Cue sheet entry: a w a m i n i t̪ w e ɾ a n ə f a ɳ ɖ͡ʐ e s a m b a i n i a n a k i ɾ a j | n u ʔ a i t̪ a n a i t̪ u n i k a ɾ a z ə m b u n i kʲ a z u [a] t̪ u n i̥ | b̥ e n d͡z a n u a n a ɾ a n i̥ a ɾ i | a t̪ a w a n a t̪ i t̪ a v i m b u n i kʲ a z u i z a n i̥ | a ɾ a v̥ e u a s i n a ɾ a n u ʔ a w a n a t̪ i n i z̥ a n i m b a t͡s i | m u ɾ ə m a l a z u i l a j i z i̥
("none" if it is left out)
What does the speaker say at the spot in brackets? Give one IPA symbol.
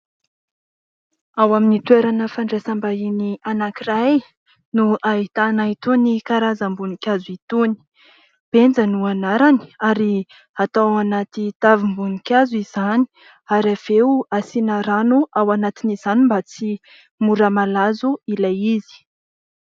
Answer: i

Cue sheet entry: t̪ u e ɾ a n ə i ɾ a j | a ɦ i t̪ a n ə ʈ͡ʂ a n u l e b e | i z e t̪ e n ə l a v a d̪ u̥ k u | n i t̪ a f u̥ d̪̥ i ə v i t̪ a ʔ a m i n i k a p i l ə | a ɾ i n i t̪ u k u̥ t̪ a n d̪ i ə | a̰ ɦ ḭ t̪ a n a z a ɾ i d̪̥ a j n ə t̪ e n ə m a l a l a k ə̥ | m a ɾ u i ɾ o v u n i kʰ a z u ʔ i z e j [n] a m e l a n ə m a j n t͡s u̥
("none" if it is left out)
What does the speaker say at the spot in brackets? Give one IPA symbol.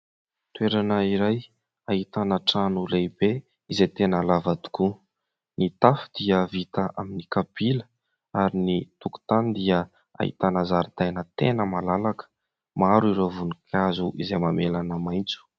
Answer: m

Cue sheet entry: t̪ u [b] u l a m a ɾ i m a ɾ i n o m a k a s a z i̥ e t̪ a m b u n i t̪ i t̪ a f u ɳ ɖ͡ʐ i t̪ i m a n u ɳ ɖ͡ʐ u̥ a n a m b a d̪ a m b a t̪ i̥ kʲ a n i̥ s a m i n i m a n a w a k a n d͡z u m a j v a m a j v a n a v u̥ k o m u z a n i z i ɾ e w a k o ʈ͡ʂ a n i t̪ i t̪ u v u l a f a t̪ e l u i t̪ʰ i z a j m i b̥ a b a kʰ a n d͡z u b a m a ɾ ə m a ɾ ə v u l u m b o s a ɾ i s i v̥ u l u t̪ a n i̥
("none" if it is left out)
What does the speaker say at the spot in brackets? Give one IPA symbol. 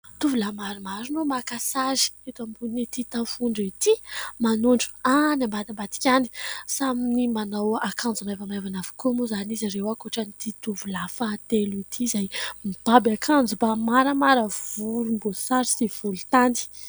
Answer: v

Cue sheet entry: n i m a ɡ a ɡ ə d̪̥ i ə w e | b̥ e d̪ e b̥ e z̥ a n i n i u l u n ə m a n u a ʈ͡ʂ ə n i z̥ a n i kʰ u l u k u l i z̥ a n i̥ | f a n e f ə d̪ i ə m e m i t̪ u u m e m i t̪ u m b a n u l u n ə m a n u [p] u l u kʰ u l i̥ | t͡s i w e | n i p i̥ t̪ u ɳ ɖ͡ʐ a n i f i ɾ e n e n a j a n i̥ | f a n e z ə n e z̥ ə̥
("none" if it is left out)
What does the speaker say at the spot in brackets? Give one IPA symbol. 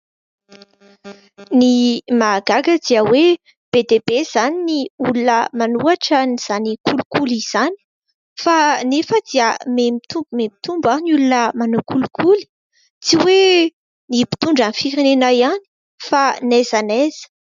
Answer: k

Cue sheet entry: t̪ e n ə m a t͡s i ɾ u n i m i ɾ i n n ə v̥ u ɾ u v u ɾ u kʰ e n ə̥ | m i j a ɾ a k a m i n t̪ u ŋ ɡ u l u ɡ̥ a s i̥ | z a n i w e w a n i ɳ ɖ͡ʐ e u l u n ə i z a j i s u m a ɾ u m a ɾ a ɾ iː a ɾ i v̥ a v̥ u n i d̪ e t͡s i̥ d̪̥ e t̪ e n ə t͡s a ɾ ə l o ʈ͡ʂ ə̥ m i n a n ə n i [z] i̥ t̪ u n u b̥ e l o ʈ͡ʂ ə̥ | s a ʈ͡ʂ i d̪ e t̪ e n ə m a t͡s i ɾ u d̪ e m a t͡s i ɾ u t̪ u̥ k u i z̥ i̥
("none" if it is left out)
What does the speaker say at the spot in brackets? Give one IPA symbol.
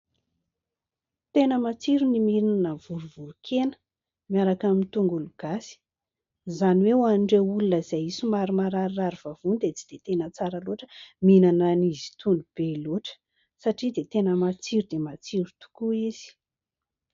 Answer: z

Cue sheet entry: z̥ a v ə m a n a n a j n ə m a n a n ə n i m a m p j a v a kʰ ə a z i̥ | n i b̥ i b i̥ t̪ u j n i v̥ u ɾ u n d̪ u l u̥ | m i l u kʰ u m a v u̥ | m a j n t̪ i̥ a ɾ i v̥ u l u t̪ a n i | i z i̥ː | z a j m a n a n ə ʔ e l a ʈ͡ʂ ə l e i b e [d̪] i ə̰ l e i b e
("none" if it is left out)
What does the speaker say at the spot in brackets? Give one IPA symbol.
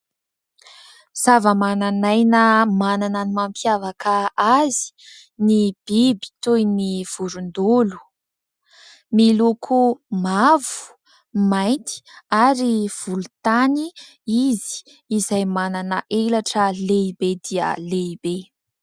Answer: d̪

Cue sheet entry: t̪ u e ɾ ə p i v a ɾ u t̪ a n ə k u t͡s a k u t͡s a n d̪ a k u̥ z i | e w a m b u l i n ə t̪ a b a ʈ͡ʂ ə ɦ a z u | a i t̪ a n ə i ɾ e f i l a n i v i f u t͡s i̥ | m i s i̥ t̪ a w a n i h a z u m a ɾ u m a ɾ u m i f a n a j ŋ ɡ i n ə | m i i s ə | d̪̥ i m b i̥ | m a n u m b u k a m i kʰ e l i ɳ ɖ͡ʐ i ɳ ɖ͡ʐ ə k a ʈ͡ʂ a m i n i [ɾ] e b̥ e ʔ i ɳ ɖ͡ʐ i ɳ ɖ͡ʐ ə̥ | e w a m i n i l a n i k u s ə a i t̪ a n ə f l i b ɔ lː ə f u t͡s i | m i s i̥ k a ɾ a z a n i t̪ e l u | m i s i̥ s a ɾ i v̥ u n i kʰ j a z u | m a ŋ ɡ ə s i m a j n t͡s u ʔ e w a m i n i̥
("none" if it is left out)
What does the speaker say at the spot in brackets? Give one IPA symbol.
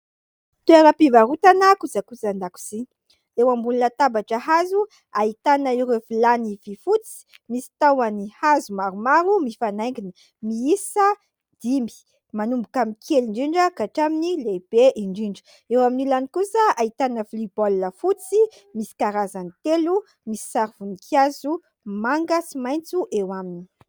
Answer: l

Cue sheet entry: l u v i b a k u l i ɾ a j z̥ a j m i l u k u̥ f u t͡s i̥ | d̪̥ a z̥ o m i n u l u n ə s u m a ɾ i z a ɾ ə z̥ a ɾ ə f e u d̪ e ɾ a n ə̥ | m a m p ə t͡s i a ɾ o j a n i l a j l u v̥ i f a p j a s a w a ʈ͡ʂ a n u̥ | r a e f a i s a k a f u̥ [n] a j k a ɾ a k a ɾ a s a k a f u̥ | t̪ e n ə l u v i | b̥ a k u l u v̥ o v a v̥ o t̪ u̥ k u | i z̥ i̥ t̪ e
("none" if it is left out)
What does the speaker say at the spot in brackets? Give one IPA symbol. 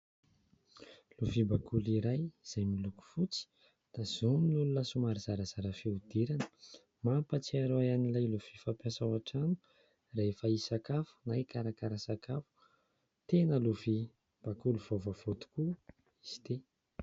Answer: n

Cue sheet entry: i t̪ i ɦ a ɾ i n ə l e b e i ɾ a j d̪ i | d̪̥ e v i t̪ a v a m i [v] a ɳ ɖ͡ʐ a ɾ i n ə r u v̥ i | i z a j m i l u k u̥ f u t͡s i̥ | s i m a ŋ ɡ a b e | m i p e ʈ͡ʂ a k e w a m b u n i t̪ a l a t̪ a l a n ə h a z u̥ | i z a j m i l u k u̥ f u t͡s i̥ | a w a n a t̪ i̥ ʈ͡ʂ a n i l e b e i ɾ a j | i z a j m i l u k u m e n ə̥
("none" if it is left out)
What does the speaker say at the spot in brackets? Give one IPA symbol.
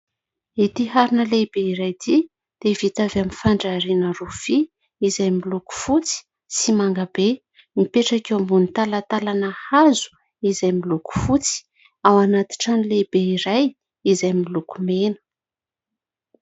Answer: f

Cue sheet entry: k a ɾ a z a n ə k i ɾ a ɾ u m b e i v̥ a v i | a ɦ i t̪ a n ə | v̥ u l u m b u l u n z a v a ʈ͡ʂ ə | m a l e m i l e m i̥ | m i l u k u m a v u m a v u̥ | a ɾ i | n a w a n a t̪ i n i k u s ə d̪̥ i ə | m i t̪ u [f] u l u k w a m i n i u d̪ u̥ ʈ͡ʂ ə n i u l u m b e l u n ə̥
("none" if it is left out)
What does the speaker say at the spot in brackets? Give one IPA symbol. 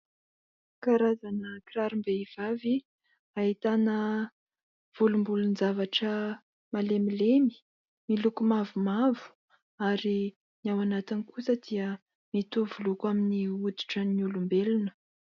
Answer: v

